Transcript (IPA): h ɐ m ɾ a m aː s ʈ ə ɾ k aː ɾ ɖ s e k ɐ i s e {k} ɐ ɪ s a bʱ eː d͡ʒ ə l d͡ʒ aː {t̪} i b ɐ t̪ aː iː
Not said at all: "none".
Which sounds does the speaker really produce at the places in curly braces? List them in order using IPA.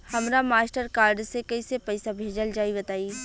p, none

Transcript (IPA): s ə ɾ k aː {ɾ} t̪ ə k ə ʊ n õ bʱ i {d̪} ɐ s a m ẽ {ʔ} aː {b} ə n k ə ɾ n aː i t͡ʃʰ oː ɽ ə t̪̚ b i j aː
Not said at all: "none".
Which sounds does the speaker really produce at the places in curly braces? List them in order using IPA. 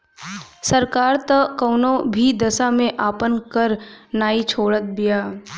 ɾ, d̪, ʔ, p

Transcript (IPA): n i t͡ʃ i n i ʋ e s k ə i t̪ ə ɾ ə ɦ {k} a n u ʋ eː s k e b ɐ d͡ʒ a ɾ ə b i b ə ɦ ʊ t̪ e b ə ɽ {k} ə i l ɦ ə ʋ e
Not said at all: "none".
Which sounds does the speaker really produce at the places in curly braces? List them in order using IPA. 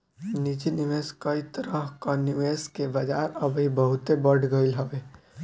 k, ɡ

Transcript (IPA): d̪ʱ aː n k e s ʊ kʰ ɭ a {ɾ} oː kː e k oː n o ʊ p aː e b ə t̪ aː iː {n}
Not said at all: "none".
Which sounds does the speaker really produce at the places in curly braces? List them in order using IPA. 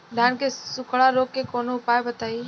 ɾ, none

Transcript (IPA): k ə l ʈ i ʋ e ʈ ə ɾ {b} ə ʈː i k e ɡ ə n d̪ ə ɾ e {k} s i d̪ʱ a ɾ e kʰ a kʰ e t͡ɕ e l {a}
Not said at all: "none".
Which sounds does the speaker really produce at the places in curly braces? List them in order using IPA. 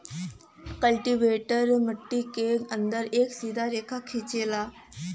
m, k, a

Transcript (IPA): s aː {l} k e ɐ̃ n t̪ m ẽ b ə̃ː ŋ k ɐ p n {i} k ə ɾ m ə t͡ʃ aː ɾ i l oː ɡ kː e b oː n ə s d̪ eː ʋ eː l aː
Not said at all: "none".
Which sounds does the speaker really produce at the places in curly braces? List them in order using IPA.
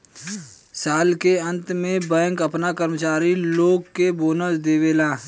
l, a

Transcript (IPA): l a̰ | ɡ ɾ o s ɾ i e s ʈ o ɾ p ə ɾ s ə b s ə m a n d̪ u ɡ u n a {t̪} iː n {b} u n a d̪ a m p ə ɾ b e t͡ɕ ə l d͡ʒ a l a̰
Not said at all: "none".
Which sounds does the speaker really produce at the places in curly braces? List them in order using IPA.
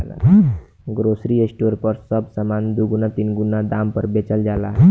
t̪, ɡ

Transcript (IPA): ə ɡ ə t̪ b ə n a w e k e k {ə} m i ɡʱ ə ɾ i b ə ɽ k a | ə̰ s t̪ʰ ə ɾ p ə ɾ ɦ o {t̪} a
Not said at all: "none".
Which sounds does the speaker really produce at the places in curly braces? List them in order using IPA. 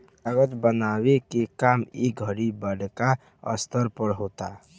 a, t̪

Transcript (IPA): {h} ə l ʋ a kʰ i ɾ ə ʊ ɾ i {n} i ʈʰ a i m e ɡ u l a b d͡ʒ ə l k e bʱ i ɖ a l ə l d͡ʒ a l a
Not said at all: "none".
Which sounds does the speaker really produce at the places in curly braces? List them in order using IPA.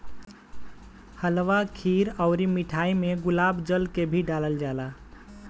h, m

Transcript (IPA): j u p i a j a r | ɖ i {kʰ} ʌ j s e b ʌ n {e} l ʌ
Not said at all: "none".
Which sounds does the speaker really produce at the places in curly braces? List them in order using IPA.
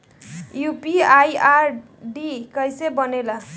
k, e

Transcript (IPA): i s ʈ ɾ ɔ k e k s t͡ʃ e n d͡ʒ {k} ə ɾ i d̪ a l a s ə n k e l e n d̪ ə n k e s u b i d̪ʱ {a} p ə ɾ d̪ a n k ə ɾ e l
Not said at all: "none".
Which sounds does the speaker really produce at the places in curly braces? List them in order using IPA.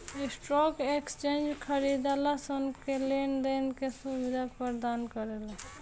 kʰ, a

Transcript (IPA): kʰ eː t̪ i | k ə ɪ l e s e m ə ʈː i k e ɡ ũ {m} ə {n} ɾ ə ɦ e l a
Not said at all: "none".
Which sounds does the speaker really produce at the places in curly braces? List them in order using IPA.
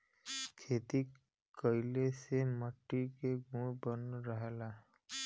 b, n

